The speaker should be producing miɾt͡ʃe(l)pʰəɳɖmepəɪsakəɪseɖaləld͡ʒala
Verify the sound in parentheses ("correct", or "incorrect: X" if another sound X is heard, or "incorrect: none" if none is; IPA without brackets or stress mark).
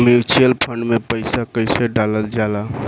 correct